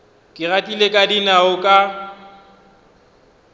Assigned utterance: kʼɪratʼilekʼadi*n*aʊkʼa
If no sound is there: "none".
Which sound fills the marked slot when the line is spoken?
n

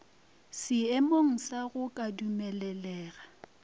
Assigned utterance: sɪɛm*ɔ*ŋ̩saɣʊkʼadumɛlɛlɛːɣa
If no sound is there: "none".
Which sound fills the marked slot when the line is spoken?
o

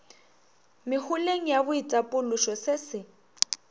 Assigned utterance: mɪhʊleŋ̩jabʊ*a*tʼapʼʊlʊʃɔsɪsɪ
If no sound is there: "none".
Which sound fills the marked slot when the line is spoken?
i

